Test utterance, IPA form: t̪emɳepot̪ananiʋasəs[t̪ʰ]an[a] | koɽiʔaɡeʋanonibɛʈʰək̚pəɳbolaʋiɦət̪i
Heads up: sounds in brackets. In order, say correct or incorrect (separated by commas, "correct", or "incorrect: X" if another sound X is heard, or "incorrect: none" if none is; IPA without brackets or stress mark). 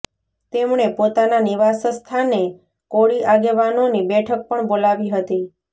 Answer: correct, incorrect: e